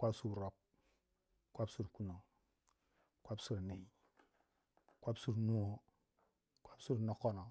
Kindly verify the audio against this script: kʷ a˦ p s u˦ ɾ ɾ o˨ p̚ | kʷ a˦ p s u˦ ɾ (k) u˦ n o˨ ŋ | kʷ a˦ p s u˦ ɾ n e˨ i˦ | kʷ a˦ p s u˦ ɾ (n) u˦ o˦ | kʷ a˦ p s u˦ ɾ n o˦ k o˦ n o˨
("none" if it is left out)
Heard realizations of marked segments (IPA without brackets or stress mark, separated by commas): k, n